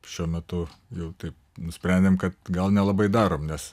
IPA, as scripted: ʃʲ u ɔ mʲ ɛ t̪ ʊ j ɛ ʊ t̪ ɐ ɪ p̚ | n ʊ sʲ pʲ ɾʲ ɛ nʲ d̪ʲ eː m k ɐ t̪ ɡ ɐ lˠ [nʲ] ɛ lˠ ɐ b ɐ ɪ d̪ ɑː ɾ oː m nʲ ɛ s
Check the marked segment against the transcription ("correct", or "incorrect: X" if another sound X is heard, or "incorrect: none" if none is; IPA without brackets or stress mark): correct